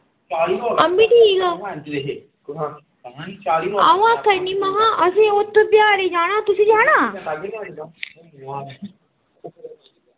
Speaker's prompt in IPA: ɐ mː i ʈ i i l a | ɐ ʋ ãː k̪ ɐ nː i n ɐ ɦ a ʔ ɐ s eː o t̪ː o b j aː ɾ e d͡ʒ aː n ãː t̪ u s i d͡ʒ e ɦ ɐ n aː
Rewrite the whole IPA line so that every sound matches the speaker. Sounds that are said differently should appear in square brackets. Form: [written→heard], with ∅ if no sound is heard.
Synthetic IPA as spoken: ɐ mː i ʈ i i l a | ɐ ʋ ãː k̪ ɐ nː i [n→m] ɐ ɦ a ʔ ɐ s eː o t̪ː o b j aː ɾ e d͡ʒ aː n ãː t̪ u s i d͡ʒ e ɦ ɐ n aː